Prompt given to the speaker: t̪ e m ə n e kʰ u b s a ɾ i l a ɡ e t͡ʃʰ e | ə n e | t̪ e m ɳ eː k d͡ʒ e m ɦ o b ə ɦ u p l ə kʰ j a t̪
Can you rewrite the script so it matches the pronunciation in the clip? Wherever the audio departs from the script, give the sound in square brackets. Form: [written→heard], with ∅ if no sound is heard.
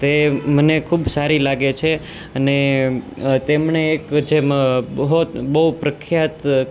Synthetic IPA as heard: t̪ e m ə n e kʰ u b s a ɾ i l a ɡ e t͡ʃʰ e | ə n e | t̪ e m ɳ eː k d͡ʒ e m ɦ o b ə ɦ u p [l→ɾ] ə kʰ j a t̪